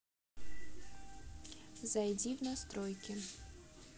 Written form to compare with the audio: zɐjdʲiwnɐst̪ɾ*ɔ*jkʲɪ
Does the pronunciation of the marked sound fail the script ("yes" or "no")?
no